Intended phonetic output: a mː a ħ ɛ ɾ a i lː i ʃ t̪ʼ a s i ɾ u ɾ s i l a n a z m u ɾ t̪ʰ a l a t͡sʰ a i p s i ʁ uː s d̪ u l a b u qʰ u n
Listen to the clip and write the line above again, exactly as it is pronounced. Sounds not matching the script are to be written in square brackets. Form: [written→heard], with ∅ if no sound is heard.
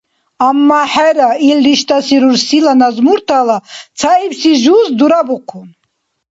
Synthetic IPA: a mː a ħ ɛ ɾ a i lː i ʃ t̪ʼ a s i ɾ u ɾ s i l a n a z m u ɾ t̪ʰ a l a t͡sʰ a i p s i [ʁ→ʒ] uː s d̪ u [l→ɾ] a b u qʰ u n